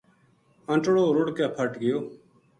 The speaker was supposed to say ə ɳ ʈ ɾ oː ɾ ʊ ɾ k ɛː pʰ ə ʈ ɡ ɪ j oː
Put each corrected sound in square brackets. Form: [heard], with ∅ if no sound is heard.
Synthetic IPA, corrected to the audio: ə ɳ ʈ [ɽ] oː ɾ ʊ [ɽ] k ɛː pʰ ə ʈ ɡ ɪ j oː